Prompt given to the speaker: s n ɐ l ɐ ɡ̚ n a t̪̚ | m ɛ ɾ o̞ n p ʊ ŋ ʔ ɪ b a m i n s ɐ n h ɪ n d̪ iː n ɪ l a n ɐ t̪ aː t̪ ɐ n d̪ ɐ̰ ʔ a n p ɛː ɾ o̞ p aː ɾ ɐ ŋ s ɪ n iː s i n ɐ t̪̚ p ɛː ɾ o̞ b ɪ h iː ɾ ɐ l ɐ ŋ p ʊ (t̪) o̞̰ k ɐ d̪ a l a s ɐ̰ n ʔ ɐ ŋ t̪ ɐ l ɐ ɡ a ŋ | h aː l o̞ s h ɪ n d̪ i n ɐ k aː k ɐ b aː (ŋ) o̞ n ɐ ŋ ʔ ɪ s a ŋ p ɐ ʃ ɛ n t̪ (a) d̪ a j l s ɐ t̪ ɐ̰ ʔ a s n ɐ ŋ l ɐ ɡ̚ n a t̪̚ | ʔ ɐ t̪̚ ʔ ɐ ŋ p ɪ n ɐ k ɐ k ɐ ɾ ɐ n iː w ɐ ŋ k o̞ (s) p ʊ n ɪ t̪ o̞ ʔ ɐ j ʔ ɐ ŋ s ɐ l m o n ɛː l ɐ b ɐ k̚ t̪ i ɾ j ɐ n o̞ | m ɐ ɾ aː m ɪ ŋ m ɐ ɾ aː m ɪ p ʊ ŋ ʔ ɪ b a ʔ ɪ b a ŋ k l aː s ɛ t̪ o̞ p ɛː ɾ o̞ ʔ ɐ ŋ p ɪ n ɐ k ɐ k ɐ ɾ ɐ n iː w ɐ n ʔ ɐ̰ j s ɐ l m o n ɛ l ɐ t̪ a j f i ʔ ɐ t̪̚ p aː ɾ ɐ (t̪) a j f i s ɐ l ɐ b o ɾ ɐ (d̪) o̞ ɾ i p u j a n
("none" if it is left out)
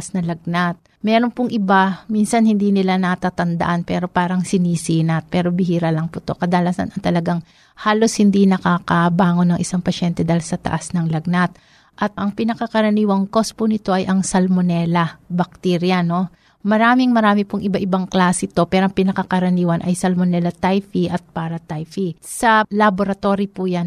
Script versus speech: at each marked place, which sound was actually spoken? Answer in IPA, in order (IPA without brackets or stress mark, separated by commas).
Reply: t̪, ŋ, ɛ, s, t̪, t̪